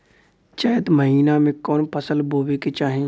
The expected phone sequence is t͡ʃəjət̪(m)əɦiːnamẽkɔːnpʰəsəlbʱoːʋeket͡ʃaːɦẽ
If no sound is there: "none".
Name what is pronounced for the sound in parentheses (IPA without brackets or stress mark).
m